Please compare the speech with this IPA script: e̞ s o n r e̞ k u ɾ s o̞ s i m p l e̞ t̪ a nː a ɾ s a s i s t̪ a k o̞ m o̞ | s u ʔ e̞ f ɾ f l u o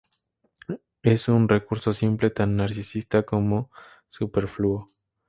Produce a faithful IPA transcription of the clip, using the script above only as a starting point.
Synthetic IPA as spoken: e̞ s u n r e̞ k u ɾ s o̞ s i m p l e̞ t̪ a nː a ɾ s i s i s t̪ a k o̞ m o̞ | s u p e̞ ɾ f l u o